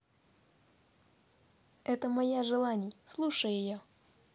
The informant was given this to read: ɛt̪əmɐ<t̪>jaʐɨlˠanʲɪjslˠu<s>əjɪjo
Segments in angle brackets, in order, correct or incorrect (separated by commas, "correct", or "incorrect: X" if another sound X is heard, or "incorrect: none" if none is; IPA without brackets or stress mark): incorrect: none, incorrect: ʂ